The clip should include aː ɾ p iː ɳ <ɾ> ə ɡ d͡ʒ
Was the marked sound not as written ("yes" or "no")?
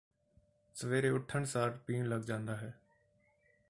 yes